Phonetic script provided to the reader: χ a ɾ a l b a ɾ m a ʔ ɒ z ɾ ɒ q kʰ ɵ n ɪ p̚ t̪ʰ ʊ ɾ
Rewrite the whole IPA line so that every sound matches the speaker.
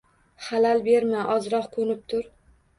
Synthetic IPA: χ a l a l b e ɾ m a ʔ ɒ z ɾ ɒ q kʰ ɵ n ɪ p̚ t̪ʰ ʊ ɾ